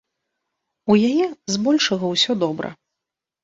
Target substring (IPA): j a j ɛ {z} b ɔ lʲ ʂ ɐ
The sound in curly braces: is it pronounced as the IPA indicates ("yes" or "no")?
yes